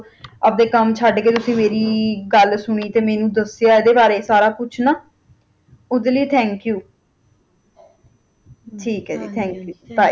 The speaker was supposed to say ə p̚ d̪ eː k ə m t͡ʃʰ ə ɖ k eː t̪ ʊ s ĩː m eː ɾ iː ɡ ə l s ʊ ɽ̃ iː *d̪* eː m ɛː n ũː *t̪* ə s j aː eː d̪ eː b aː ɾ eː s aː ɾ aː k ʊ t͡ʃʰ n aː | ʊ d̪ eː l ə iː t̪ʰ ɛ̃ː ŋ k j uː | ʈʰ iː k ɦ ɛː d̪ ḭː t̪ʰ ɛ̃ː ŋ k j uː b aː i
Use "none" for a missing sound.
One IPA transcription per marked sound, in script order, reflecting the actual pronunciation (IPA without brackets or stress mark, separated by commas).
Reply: t̪, d̪